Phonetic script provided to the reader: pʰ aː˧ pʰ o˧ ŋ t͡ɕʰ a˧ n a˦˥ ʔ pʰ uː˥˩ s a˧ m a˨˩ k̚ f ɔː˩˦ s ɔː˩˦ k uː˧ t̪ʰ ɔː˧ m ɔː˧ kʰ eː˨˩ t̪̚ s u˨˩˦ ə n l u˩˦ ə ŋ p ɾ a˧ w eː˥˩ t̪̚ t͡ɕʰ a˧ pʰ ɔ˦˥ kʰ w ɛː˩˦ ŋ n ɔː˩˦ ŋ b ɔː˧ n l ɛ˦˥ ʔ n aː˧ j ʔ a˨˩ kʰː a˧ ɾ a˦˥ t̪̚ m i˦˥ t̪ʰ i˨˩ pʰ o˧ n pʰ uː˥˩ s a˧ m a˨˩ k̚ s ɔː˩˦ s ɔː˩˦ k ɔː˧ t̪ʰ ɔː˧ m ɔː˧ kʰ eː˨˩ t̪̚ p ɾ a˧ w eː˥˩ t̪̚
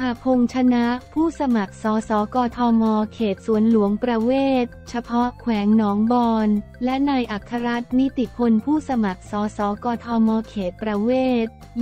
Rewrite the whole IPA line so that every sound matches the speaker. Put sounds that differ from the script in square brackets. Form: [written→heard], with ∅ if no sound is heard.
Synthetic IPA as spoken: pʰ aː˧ pʰ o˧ ŋ t͡ɕʰ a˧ n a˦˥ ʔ pʰ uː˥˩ s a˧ m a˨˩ k̚ [f→s] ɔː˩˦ s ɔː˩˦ k [uː˧→ɔː˧] t̪ʰ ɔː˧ m ɔː˧ kʰ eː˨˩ t̪̚ s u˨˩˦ ə n l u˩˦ ə ŋ p ɾ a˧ w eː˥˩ t̪̚ t͡ɕʰ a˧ pʰ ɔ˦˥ kʰ w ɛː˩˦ ŋ n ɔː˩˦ ŋ b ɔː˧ n l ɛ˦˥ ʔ n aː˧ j ʔ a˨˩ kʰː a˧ ɾ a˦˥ t̪̚ m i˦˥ [t̪ʰ→t̪] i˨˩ pʰ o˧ n pʰ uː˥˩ s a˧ m a˨˩ k̚ s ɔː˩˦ s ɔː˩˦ k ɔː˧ t̪ʰ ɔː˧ m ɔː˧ kʰ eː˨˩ t̪̚ p ɾ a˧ w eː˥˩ t̪̚